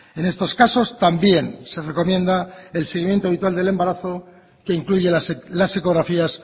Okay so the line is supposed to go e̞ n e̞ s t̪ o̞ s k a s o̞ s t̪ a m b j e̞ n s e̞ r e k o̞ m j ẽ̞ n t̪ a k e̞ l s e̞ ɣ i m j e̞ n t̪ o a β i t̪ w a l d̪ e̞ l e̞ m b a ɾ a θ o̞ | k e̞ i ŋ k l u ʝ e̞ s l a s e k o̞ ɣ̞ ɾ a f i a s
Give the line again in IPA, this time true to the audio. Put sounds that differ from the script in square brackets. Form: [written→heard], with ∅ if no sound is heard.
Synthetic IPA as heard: e̞ n e̞ s t̪ o̞ s k a s o̞ s t̪ a m b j e̞ n s e̞ r e k o̞ m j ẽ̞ n [t̪→d̪] a [k→∅] e̞ l s e̞ ɣ i m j e̞ n t̪ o a β i t̪ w a l d̪ e̞ l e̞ m b a ɾ a θ o̞ | k e̞ i ŋ k l u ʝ e̞ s l a s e k o̞ ɣ̞ ɾ a f i a s